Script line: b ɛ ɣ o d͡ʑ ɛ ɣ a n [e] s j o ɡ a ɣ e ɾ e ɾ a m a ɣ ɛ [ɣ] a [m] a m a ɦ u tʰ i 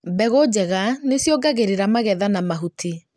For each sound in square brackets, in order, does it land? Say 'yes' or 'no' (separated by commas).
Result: yes, no, no